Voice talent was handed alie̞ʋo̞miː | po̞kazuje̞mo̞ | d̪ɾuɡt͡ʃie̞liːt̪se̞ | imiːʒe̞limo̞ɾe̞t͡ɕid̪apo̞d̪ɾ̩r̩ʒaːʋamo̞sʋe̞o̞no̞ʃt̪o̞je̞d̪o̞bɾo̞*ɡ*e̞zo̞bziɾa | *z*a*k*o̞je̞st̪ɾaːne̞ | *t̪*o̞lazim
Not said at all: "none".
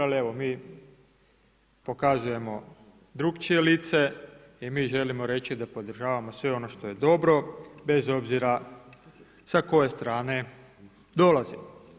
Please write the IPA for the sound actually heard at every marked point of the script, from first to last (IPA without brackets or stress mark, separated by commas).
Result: b, s, k, d̪